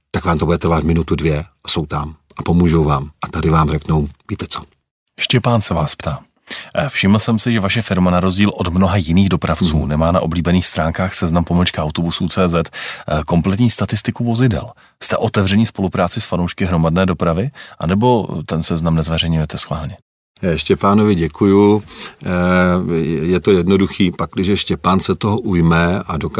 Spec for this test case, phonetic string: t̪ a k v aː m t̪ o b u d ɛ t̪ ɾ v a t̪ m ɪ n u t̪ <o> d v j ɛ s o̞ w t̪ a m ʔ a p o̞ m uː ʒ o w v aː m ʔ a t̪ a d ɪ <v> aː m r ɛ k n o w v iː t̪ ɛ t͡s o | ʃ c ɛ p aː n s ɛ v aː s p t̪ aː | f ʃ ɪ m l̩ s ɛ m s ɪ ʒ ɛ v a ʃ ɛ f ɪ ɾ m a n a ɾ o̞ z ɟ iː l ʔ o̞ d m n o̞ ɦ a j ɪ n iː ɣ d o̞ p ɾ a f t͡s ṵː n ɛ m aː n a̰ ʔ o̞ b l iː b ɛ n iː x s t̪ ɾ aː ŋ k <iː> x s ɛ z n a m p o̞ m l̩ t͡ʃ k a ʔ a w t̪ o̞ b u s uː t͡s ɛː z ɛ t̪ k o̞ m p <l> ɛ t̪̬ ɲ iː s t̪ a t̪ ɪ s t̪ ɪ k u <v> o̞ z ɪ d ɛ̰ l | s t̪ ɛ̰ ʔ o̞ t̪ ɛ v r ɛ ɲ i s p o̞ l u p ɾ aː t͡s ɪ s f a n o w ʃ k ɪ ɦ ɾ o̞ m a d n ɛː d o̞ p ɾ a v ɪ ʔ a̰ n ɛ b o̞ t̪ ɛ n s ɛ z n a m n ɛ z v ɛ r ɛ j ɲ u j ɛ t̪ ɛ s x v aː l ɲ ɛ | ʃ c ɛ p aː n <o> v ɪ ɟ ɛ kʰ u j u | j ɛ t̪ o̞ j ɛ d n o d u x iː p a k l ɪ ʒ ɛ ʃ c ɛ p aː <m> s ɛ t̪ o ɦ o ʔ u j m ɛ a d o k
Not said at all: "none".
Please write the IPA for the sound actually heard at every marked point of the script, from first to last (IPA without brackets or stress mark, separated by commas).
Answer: u, v, aː, l, v, o, n